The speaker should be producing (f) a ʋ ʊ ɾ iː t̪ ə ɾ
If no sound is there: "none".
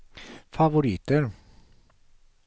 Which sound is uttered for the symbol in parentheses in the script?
f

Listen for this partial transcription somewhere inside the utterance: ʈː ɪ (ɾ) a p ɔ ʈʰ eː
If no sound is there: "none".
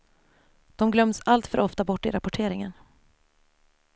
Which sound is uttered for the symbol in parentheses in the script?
ɾ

